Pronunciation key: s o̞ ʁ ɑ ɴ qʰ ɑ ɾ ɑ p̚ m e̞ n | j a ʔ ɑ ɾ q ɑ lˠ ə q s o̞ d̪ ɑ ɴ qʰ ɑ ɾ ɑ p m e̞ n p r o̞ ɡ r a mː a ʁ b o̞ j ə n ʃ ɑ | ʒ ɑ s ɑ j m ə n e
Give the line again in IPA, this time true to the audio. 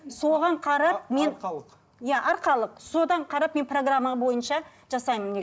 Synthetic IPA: s o̞ ʁ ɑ ɴ qʰ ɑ ɾ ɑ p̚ m e̞ n | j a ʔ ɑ ɾ q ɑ lˠ ə q s o̞ d̪ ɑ ɴ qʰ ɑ ɾ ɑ p m e̞ n p r o̞ ɡ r a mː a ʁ b o̞ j ə n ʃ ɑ | ʒ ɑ s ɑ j m ə n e

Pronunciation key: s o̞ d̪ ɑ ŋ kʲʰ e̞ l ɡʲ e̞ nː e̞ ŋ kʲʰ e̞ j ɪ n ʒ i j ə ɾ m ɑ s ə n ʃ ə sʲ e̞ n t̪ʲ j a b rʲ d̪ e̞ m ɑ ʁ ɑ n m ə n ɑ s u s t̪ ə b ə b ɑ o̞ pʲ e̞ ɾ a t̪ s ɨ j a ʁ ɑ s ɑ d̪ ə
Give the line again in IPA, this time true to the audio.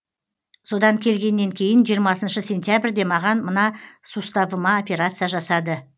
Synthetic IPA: s o̞ d̪ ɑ ŋ kʲʰ e̞ l ɡʲ e̞ nː e̞ ŋ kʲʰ e̞ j ɪ n ʒ i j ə ɾ m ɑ s ə n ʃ ə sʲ e̞ n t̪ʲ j a b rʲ d̪ e̞ m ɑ ʁ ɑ n m ə n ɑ s u s t̪ ɑ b ə m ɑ o̞ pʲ e̞ ɾ a t̪ s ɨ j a ʒ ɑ s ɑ d̪ ə

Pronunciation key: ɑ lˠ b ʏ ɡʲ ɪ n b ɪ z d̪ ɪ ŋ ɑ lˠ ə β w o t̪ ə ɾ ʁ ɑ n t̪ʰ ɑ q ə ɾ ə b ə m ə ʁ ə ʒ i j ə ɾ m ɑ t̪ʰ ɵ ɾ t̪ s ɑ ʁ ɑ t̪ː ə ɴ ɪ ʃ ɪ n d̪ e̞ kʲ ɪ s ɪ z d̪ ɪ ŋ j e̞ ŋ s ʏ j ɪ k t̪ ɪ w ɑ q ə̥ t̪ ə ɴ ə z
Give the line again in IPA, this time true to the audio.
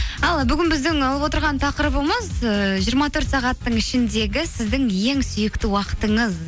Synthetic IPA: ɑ lˠ b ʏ ɡʲ ɪ n b ɪ z d̪ ɪ ŋ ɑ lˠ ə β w o t̪ ə ɾ ʁ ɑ n t̪ʰ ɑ q ə ɾ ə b ə m ə z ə ʒ i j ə ɾ m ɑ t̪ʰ ɵ ɾ t̪ s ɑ ʁ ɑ t̪ː ə ɴ ɪ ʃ ɪ n d̪ e̞ ɡʲ ɪ s ɪ z d̪ ɪ ŋ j e̞ ŋ s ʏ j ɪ k t̪ ɪ w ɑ q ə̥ t̪ ə ɴ ə z

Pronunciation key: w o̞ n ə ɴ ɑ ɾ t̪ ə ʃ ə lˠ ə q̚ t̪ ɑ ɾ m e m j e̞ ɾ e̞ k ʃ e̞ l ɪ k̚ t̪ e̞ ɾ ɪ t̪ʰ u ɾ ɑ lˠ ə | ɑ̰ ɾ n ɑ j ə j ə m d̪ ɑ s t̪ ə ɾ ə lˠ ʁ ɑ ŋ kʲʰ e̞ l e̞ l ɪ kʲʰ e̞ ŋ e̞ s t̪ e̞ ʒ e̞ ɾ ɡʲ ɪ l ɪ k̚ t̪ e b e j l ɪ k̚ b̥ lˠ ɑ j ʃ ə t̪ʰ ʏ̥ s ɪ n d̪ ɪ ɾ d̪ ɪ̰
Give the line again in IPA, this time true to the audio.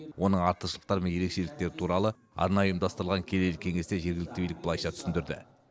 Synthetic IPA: w o̞ n ə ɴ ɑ ɾ t̪ ə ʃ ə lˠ ə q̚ t̪ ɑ ɾ m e n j e̞ ɾ e̞ k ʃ e̞ l ɪ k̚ t̪ e̞ ɾ ɪ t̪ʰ u ɾ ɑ lˠ ə | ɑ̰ ɾ n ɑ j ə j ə m d̪ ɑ s t̪ ə ɾ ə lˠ ʁ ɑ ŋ kʲʰ e̞ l e̞ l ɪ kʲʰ e̞ ŋ e̞ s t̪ e̞ ʒ e̞ ɾ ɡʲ ɪ l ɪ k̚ t̪ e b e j l ɪ k̚ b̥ lˠ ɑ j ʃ ɑ t̪ʰ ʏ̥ s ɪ n d̪ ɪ ɾ d̪ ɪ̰

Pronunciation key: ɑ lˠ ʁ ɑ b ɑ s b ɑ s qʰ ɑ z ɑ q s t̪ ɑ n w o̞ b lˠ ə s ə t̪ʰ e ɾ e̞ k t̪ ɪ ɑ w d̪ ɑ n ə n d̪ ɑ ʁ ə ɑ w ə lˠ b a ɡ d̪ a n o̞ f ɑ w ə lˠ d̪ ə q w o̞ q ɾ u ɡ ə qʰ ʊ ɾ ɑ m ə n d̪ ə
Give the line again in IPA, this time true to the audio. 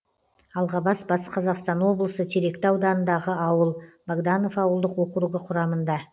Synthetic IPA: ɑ lˠ ʁ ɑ b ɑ s b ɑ s qʰ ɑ z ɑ q s t̪ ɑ n w o̞ b lˠ ə s ə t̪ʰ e ɾ e̞ k t̪ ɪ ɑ w d̪ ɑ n ə n d̪ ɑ ʁ ə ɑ w ə lˠ b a ɡ d̪ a n o̞ f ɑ w ə lˠ d̪ ə q w o̞ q ɾ u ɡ ə qʰ ʊ ɾ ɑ m ə n d̪ ɑ

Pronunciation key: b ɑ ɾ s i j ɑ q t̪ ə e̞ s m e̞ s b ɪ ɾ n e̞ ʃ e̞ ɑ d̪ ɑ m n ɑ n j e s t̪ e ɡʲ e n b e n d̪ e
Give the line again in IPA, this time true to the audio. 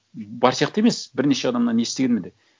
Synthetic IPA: b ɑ ɾ s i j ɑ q t̪ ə e̞ m e̞ s b ɪ ɾ n e̞ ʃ e̞ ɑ d̪ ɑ m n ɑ n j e s t̪ e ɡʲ e n m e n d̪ e

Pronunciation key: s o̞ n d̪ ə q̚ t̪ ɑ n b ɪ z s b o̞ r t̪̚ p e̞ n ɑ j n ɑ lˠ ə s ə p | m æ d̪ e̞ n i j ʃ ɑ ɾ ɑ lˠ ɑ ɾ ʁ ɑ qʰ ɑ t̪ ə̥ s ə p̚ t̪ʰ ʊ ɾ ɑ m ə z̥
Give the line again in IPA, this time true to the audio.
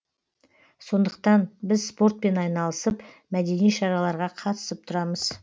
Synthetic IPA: s o̞ n d̪ ə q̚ t̪ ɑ n b ɪ z s p o̞ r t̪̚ p e̞ n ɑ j n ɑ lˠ ə s ə p | m æ d̪ e̞ n i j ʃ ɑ ɾ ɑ lˠ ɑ ɾ ʁ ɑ qʰ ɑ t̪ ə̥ s ə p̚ t̪ʰ ʊ ɾ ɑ m ə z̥

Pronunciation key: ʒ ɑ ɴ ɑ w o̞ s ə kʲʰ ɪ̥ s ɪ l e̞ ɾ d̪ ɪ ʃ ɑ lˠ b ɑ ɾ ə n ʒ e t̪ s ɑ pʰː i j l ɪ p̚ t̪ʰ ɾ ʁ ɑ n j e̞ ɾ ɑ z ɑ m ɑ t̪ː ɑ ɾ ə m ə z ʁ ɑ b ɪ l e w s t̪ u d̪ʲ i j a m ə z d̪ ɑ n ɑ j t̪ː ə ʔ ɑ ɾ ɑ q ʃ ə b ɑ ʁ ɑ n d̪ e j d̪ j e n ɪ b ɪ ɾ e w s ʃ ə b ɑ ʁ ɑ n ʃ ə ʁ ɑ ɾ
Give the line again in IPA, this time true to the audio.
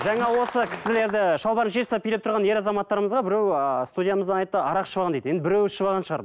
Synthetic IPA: ʒ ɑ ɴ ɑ w o̞ s ə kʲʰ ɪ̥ s ɪ l e̞ ɾ d̪ ɪ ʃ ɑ lˠ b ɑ ɾ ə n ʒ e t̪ s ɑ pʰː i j l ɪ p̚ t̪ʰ ɾ ʁ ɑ n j e̞ ɾ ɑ z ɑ m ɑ t̪ː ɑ ɾ ə m ə z ʁ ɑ b ɪ ɾ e w s t̪ u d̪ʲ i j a m ə z d̪ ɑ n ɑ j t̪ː ə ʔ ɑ ɾ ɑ q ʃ ə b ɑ ʁ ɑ n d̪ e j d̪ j e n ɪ b ɪ ɾ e w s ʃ ə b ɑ ʁ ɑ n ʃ ə ʁ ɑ ɾ

